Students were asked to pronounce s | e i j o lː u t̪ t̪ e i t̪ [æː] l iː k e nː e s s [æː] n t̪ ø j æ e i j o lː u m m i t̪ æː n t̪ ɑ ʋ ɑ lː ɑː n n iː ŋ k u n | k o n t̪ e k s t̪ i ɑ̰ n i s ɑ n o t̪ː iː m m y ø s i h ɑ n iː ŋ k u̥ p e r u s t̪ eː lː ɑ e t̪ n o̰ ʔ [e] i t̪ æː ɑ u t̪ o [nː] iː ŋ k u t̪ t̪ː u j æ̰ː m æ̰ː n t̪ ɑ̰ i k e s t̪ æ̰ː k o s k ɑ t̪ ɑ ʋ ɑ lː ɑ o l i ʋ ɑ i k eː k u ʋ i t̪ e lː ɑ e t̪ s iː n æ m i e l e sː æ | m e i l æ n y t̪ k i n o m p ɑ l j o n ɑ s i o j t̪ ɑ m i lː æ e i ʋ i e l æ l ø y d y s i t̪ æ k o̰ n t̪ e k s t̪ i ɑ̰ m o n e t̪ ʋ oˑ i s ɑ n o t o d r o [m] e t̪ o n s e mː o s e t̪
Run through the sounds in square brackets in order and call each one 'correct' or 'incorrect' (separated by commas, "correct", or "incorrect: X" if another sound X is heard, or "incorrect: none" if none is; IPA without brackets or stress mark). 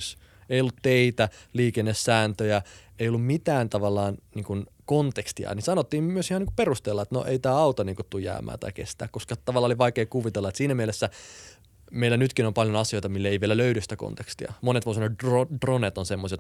incorrect: æ, correct, correct, incorrect: n, incorrect: n